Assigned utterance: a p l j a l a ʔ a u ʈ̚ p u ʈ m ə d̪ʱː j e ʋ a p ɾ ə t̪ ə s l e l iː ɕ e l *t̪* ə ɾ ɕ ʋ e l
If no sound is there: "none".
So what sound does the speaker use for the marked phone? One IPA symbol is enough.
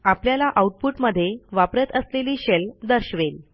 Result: d̪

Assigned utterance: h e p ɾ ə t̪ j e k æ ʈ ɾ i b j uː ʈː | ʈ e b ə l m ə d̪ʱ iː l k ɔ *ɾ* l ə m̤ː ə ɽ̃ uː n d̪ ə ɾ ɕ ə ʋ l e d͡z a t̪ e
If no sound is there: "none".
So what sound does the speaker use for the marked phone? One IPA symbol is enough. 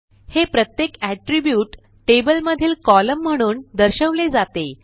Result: none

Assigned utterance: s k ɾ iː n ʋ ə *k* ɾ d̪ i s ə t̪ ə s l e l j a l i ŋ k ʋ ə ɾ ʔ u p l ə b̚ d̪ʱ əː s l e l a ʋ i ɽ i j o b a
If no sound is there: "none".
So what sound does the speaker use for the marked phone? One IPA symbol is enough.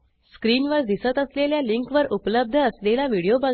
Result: none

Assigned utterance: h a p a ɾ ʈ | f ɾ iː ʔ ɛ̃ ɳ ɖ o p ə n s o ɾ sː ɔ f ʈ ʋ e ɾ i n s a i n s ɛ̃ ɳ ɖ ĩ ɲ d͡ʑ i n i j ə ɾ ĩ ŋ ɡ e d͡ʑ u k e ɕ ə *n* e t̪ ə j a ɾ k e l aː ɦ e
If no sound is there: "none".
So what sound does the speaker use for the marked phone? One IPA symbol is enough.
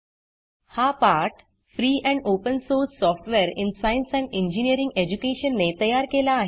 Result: nː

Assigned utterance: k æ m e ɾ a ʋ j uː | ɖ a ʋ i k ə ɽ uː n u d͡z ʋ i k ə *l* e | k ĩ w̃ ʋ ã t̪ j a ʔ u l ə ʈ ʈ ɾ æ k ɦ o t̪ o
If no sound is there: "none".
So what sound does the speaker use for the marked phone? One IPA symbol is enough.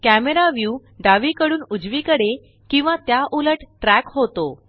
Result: ɽ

